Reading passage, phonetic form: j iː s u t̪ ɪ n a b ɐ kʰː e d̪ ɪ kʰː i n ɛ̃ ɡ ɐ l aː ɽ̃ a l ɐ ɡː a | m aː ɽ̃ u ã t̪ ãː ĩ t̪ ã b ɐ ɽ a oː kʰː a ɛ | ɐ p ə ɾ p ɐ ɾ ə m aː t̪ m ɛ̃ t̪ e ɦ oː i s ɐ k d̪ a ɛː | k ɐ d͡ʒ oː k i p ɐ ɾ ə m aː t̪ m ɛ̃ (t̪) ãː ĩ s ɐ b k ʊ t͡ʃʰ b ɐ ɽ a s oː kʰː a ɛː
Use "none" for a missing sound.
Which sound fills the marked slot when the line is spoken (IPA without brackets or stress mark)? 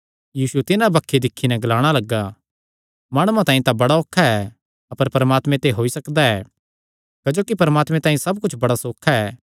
t̪